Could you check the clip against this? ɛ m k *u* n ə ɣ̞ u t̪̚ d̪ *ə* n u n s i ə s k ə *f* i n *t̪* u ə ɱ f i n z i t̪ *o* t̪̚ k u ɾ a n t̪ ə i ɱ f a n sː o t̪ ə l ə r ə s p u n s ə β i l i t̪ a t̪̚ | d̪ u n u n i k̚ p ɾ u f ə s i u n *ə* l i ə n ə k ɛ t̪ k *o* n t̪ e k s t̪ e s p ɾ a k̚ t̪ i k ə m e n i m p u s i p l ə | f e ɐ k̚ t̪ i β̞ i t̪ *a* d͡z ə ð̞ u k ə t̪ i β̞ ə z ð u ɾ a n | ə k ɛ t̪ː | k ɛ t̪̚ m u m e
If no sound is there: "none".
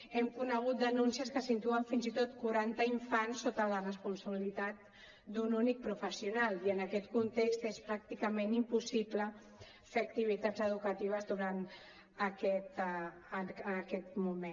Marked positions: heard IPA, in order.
u, ə, s, t̪, o, a, u, a

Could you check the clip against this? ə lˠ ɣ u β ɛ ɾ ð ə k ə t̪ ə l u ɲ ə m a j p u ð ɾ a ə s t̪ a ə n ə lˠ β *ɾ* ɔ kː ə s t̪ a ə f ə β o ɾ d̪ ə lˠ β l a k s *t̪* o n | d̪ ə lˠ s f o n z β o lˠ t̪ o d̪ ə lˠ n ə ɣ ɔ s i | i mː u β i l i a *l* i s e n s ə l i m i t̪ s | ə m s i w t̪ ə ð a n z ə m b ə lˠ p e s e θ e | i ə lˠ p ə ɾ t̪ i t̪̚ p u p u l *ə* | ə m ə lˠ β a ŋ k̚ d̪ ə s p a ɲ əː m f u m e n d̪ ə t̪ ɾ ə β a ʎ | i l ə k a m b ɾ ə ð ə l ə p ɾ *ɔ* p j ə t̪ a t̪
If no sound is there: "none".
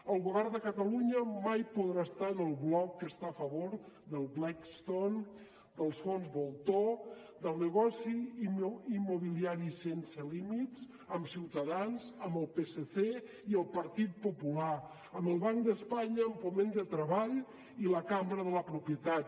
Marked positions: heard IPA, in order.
l, t̪, ɾ, a, u

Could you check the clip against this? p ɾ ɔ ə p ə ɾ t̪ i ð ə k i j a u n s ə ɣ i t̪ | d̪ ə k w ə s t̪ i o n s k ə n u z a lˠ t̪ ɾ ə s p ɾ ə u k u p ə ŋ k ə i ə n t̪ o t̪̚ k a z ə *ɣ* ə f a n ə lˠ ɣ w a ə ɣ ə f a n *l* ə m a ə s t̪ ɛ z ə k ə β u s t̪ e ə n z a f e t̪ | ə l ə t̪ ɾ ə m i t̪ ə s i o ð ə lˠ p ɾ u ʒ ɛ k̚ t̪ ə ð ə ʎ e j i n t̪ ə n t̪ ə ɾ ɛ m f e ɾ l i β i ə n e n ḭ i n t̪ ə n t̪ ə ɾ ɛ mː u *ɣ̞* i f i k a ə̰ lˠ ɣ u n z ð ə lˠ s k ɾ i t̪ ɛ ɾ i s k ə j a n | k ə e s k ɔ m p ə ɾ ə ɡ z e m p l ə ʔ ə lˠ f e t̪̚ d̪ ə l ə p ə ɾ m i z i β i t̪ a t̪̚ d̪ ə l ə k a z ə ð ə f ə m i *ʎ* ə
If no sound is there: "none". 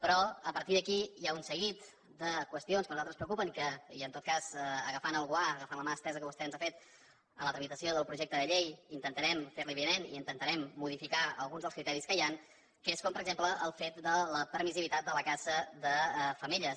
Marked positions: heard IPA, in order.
ɣ, l, ð̞, ʎ

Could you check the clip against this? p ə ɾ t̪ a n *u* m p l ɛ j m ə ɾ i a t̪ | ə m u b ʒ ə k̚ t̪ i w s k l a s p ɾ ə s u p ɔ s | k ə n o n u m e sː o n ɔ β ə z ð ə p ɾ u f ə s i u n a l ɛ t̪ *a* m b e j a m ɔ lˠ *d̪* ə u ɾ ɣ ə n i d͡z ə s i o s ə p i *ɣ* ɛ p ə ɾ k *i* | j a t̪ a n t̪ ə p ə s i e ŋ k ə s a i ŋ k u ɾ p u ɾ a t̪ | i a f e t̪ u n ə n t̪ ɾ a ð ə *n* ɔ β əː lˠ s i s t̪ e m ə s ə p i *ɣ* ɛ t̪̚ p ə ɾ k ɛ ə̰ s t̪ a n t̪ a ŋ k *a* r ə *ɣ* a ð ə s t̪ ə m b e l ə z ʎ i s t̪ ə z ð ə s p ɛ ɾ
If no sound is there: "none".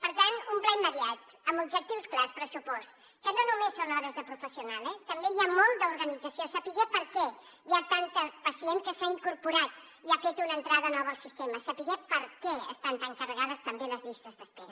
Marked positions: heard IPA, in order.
u, ə, d̪, ɣ, ɛ, n, ɣ, ə, ɣ

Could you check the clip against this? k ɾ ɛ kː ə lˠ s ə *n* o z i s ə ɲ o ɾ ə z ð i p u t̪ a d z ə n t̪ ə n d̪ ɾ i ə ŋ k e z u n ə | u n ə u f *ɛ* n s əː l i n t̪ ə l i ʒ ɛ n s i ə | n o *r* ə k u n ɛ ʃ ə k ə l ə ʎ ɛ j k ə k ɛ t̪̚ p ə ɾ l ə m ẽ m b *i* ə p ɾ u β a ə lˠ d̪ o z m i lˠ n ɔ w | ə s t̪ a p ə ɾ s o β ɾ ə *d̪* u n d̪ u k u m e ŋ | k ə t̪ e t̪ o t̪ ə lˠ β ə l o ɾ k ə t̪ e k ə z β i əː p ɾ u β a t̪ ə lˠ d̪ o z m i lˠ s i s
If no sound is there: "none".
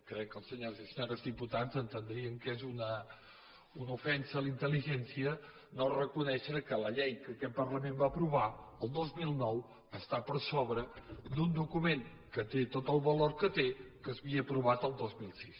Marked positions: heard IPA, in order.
ɲ, ɛ, r, a, d̪

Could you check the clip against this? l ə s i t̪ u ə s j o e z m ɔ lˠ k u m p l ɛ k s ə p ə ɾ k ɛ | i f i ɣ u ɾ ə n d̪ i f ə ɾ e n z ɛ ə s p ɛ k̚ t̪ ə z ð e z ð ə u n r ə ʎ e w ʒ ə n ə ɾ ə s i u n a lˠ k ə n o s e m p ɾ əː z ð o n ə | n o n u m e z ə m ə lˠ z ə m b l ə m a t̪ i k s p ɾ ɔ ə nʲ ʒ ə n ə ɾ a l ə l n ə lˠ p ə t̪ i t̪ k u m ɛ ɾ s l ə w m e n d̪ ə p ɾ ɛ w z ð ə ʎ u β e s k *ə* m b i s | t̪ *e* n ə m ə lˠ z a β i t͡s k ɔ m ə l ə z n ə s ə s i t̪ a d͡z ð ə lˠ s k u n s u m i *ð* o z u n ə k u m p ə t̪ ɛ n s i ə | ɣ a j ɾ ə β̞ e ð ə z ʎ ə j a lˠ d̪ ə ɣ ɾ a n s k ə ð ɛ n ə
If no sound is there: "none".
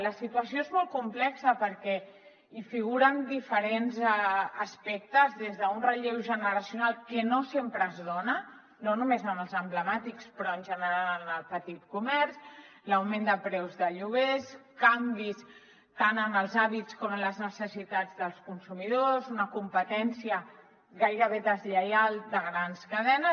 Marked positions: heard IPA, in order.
a, a, ð

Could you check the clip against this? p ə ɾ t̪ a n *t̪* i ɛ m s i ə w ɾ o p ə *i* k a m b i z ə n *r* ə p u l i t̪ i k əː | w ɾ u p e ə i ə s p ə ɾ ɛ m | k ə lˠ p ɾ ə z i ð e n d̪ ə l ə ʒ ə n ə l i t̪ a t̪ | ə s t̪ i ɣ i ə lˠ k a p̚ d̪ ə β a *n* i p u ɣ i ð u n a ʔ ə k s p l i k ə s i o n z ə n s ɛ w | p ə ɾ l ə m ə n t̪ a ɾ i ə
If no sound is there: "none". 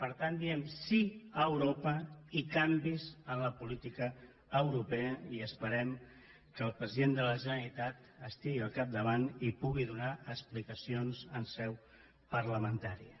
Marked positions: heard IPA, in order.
d̪, i, l, n

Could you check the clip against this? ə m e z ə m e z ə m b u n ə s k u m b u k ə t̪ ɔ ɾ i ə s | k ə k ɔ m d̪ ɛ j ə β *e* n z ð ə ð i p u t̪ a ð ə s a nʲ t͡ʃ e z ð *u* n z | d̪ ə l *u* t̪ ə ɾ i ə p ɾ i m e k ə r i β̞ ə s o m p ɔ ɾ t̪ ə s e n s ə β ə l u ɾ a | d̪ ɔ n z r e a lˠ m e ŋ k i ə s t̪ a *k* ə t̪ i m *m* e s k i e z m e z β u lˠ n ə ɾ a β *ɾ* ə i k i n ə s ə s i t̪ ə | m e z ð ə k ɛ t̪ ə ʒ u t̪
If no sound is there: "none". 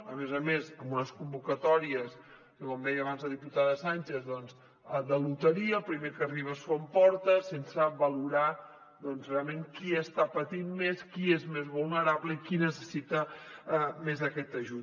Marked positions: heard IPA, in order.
a, ɔ, u, p, m, l

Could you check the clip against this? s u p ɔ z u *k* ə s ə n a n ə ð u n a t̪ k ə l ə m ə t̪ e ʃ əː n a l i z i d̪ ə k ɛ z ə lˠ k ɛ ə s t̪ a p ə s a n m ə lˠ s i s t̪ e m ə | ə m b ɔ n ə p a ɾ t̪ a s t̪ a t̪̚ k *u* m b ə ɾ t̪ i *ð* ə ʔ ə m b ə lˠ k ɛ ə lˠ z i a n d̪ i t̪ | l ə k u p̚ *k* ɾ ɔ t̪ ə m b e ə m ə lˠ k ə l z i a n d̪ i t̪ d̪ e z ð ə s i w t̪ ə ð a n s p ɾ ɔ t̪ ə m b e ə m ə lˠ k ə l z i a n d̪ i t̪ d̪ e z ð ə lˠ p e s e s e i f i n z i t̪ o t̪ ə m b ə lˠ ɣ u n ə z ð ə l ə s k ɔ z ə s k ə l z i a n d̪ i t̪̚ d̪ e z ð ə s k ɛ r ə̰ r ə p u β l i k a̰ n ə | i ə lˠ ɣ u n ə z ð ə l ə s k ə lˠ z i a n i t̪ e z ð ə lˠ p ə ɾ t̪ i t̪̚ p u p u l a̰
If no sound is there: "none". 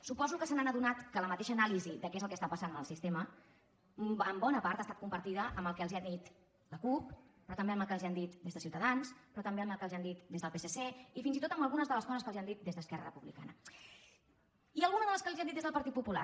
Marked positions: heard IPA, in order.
k, u, ð, p

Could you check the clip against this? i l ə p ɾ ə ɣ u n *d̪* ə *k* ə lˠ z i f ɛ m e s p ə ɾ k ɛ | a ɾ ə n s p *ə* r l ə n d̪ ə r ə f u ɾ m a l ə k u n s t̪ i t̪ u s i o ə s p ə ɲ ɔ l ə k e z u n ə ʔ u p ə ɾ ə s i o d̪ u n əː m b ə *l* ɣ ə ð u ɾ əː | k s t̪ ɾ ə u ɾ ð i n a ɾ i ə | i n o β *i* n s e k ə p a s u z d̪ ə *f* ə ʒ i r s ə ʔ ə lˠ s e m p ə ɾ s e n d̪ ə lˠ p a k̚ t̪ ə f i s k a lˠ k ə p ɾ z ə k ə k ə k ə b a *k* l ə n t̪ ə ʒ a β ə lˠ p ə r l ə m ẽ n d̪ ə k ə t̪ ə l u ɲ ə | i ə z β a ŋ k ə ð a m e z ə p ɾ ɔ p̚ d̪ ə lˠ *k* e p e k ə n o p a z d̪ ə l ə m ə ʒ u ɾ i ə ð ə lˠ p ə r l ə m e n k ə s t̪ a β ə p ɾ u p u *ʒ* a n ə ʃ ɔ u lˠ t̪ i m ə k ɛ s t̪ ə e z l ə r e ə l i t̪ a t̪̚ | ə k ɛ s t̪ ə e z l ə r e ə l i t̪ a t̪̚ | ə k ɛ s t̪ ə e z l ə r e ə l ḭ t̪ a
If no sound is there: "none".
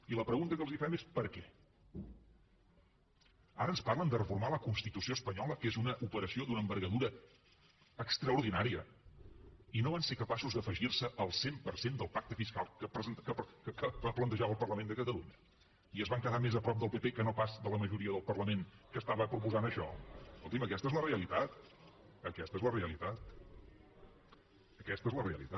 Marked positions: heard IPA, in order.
t̪, k, a, ɾ, a, f, p, p, z

